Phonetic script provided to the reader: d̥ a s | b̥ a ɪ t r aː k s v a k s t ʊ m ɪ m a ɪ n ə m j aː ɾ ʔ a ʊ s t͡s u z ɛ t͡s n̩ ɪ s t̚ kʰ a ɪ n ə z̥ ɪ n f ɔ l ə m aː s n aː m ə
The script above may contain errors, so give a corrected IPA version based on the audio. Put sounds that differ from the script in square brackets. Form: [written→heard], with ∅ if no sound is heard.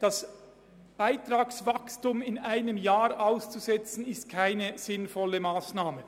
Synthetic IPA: d̥ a s | b̥ a ɪ t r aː k s v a k s t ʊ m ɪ [m→n] a ɪ n ə m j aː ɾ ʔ a ʊ s t͡s u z ɛ t͡s n̩ ɪ s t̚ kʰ a ɪ n ə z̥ ɪ n f ɔ l ə m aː s n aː m ə